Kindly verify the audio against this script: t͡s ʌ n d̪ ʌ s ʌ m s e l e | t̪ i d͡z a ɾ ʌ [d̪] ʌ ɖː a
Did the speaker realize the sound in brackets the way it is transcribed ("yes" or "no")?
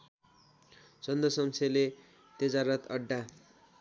no